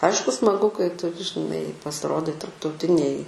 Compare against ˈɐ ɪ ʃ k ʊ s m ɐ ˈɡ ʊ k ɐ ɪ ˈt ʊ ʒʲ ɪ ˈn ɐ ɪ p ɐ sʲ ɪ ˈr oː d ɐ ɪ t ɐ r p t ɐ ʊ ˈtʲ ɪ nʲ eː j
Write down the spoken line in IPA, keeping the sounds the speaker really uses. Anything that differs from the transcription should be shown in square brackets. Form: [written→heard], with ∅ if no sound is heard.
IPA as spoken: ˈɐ ɪ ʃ k ʊ s m ɐ ˈɡ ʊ k ɐ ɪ ˈt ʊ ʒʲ ɪ ˈn ɐ ɪ p ɐ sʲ ɪ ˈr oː d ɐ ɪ t ɐ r p t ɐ ʊ ˈtʲ ɪ nʲ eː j